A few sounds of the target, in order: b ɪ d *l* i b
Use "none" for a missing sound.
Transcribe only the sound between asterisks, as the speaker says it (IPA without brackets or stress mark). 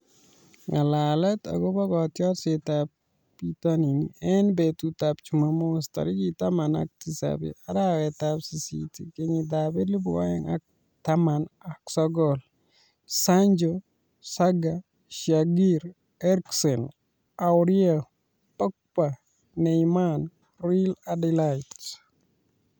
l